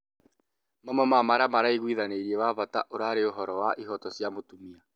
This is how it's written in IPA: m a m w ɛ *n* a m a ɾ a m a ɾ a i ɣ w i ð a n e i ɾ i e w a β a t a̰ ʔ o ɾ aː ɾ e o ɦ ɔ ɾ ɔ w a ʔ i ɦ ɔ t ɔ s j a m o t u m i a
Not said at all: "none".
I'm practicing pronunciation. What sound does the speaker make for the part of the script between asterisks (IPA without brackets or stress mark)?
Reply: m